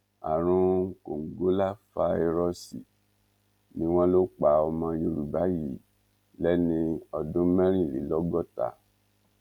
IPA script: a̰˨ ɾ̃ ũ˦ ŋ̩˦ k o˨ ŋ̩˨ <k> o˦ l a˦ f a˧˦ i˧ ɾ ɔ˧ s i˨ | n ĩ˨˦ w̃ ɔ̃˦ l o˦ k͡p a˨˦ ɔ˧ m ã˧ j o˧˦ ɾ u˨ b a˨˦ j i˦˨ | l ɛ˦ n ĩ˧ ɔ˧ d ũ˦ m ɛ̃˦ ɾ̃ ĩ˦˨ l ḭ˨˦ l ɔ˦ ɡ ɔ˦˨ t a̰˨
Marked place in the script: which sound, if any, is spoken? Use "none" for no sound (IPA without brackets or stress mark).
ɡ